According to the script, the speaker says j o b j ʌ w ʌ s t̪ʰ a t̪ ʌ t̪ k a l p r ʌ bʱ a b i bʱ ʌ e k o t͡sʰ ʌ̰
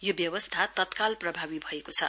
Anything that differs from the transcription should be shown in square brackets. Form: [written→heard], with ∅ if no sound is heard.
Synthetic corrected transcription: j o b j ʌ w ʌ s t̪ʰ a t̪ ʌ t̪ k a l p r ʌ bʱ a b i bʱ ʌ e k o t͡sʰ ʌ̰